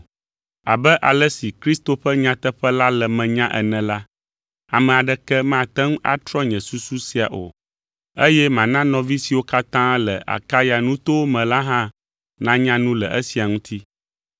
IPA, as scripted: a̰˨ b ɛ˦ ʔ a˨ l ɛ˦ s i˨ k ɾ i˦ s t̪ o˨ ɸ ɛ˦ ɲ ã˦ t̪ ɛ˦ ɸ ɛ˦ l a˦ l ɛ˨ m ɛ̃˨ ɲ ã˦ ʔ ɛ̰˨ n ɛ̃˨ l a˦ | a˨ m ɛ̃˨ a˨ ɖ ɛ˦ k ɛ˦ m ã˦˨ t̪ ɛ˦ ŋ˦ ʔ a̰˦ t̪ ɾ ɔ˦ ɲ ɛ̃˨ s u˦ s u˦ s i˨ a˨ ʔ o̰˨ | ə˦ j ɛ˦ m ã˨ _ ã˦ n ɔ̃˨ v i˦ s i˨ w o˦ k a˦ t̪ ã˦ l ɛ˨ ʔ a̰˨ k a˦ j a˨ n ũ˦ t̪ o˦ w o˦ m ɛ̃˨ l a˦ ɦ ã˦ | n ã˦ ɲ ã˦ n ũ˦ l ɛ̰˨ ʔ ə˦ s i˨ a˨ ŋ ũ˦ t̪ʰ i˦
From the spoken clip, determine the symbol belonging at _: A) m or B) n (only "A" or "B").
B